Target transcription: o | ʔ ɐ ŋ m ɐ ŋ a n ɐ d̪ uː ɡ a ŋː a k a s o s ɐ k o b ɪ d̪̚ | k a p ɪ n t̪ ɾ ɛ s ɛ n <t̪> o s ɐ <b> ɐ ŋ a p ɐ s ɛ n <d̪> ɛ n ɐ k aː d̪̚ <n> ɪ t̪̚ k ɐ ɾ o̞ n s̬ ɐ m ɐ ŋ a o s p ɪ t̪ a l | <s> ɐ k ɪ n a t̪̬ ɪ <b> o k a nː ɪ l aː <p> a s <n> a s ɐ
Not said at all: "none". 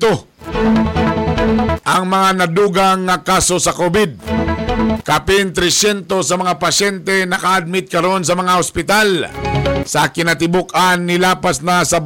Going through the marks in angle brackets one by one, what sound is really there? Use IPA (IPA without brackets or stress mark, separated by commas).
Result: t̪, m, t̪, m, s, b, p, n